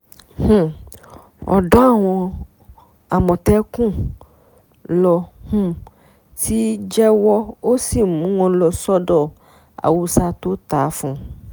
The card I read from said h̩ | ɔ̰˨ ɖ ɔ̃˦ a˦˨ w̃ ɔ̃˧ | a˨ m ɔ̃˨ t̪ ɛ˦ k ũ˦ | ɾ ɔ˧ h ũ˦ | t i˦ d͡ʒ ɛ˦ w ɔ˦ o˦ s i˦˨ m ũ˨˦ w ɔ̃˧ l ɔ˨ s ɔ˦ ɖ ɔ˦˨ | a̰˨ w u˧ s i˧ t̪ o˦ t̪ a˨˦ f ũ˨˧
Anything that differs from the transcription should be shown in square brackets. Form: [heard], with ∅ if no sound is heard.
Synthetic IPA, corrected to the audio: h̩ | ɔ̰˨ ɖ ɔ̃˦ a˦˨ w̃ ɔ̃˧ | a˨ m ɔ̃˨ t̪ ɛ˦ k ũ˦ | [l] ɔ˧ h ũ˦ | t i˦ d͡ʒ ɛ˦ w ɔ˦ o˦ s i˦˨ m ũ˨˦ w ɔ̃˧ l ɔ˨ s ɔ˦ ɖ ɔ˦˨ | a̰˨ w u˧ s [a˧] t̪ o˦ t̪ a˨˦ f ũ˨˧

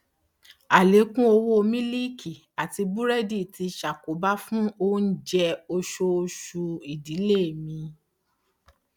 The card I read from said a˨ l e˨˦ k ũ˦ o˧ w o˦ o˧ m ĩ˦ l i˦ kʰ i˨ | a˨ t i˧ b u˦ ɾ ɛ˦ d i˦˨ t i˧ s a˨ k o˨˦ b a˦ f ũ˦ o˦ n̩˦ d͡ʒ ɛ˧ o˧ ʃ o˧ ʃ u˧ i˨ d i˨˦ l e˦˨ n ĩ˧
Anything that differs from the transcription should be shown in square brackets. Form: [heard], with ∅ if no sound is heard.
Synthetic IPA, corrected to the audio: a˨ l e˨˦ k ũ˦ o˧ w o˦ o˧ m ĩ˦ l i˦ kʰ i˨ | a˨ t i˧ b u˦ ɾ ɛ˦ d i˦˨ t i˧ [ʃ] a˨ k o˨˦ b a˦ f ũ˦ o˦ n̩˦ d͡ʒ ɛ˧ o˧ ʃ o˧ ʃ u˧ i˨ d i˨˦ l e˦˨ [m] ĩ˧

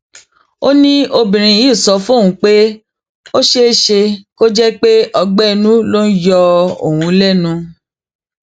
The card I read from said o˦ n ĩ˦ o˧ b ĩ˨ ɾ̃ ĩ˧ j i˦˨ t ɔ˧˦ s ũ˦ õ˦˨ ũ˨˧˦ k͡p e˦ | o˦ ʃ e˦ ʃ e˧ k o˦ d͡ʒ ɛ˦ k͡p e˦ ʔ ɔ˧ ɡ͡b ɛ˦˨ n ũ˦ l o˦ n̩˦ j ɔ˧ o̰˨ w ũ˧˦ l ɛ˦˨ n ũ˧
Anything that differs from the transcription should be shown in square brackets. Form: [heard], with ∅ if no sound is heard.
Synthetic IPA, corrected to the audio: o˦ n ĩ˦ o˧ b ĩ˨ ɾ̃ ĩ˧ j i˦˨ [s] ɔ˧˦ [f] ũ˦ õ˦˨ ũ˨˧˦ k͡p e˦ | o˦ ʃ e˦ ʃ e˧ k o˦ d͡ʒ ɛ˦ k͡p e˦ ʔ ɔ˧ ɡ͡b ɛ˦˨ n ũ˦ l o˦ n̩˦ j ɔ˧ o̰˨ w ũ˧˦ l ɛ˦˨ n ũ˧

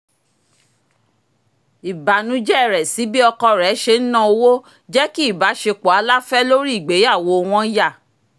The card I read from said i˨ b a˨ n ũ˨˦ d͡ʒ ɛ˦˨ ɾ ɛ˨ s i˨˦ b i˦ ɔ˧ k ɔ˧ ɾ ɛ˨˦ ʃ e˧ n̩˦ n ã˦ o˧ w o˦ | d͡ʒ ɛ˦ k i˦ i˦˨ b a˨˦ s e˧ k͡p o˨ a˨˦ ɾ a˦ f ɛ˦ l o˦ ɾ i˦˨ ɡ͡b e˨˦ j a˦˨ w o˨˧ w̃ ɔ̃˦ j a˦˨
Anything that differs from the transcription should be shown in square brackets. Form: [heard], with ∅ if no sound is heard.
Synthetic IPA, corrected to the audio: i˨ b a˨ n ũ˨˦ d͡ʒ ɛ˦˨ ɾ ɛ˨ s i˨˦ b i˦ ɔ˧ k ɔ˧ ɾ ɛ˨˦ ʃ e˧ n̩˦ n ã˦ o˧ w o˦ | d͡ʒ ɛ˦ k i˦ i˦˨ b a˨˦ [ʃ] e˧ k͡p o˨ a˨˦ [l] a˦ f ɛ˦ l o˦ ɾ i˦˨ ɡ͡b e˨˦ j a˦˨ w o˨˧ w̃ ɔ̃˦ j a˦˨

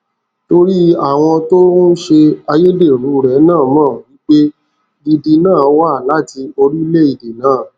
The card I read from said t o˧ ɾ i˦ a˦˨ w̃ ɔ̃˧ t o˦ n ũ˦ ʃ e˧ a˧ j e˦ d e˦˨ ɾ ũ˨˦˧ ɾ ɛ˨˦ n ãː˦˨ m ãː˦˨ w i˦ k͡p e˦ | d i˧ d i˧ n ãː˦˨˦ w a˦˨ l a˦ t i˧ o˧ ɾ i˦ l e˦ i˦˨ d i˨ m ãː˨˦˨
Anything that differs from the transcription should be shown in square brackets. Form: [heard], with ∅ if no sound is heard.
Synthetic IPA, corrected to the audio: t o˧ ɾ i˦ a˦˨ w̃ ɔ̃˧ t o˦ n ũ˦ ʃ e˧ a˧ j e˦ d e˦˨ ɾ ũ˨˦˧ ɾ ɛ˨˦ n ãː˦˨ m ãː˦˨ w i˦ k͡p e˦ | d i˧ d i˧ n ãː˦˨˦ w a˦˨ l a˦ t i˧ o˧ ɾ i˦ l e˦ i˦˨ d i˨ [n] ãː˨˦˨

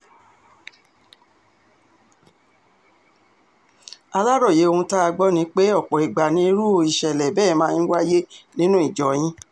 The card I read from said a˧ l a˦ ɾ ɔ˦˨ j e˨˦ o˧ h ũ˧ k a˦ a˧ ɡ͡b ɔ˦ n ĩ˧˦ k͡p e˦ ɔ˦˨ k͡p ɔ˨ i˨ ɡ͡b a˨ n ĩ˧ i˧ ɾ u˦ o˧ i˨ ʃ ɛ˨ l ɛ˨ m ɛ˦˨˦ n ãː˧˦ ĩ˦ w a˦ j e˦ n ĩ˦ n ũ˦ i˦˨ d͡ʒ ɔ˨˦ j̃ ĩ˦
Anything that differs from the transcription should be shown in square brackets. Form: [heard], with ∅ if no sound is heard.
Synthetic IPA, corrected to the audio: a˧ l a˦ ɾ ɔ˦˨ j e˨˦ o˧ h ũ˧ [t] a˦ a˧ ɡ͡b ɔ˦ n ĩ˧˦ k͡p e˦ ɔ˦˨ k͡p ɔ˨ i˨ ɡ͡b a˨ n ĩ˧ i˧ ɾ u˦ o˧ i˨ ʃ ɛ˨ l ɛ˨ [b] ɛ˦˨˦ [m] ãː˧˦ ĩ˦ w a˦ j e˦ n ĩ˦ n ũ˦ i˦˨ d͡ʒ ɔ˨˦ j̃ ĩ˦

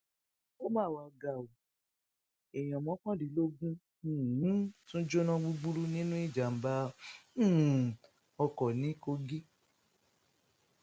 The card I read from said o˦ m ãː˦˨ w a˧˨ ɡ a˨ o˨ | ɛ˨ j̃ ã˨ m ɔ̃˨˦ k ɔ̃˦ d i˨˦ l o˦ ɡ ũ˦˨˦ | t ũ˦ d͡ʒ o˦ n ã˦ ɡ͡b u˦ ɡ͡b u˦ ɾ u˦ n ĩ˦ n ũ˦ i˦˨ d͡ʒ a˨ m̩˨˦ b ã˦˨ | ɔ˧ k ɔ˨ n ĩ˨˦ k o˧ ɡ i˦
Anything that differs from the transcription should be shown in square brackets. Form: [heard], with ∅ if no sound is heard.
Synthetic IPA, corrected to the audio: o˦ m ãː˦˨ w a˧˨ ɡ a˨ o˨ | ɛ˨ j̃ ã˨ m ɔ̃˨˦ k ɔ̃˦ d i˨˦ l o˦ ɡ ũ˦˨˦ | t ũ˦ d͡ʒ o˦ n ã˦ ɡ͡b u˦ ɡ͡b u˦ ɾ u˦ n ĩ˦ n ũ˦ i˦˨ d͡ʒ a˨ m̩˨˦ b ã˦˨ | ɔ˧ k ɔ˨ n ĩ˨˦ k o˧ ɡ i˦

